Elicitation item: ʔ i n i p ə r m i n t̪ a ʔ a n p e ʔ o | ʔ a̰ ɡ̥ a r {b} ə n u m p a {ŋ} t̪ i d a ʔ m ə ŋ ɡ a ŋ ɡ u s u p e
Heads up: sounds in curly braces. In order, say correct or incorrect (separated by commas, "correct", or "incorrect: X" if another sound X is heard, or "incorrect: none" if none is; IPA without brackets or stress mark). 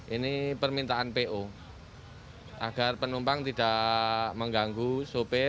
incorrect: p, correct